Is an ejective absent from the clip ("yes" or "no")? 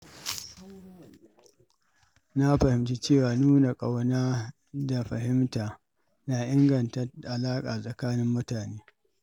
no